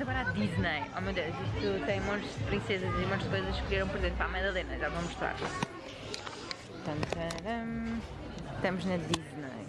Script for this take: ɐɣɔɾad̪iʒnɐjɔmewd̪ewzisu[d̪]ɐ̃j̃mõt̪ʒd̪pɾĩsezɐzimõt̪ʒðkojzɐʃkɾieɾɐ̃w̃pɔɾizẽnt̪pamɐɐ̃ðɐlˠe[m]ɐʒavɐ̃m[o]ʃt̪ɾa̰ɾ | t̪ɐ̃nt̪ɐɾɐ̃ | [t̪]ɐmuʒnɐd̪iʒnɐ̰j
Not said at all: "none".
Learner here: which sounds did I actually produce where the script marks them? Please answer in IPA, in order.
t̪, n, u, t̪

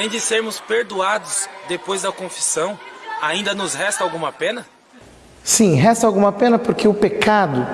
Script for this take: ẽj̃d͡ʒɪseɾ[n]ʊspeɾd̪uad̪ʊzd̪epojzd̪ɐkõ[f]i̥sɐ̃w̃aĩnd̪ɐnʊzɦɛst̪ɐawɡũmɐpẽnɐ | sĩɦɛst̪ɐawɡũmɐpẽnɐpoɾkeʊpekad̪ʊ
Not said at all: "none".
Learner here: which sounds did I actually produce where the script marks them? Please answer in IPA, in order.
m, f

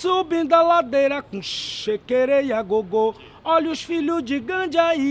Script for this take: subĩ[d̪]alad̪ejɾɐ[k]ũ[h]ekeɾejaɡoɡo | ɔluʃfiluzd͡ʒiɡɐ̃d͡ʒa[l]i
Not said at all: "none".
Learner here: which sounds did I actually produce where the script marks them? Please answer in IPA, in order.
d̪, k, ʃ, none

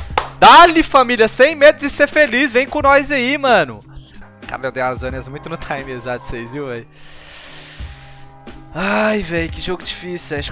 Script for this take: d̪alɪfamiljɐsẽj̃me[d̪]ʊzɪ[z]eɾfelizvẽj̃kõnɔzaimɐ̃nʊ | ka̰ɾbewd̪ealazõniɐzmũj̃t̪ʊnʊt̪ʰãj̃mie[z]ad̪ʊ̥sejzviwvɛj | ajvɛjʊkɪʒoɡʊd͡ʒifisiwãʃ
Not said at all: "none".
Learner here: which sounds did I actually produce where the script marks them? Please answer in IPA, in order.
d̪, s, z

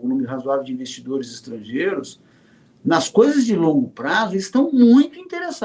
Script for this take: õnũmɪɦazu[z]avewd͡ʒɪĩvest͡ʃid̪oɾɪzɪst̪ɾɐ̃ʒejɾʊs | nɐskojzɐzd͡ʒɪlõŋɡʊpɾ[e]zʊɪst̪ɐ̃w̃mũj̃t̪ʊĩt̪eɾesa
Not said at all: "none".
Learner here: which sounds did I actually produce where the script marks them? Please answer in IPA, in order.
none, a

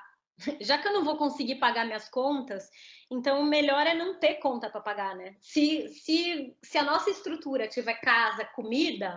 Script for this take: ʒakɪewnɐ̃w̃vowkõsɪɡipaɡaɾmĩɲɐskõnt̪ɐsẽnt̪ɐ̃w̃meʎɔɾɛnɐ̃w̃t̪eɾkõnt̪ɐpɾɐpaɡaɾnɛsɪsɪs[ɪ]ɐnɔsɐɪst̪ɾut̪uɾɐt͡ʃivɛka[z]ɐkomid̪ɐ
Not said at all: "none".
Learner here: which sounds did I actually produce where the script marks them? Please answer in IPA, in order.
ɪ, z

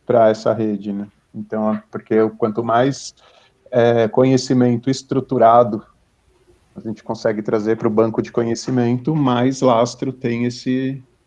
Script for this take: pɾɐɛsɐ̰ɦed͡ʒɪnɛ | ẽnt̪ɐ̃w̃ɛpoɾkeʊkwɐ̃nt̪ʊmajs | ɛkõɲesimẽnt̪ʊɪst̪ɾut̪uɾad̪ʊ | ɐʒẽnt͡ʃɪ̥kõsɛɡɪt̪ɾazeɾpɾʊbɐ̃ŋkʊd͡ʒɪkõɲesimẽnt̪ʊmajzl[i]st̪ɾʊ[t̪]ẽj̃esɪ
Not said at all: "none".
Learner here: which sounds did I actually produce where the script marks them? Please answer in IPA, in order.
a, t̪

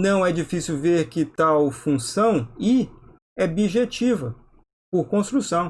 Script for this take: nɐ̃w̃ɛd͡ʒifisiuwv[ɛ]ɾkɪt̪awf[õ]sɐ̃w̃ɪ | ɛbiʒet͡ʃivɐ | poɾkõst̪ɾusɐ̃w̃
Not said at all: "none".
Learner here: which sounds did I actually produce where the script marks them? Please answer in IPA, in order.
e, ũ

